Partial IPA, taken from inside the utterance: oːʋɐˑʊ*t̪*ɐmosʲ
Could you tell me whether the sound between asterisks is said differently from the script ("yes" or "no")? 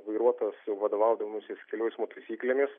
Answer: yes